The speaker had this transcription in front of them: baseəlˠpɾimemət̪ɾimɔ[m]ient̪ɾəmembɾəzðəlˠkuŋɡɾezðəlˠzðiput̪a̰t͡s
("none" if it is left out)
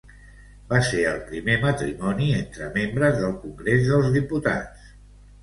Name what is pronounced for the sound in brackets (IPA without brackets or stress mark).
n